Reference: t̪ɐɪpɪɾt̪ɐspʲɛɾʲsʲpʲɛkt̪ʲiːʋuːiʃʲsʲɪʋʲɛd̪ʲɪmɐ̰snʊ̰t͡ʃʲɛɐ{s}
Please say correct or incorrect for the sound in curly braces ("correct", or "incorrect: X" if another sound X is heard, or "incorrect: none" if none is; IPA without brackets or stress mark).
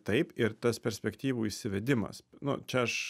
incorrect: ʃ